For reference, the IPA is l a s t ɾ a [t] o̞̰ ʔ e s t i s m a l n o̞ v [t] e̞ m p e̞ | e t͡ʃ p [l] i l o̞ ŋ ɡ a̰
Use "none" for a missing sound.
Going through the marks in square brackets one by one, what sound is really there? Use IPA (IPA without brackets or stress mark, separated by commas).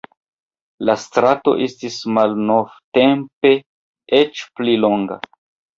t, t, l